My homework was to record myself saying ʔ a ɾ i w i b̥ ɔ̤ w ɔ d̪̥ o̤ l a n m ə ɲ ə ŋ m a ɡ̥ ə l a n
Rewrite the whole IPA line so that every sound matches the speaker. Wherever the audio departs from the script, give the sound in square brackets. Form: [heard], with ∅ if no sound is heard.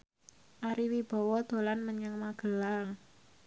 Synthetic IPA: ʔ a ɾ i w i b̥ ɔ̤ w ɔ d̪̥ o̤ l a n m ə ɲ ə ŋ m a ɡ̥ ə l a [ŋ]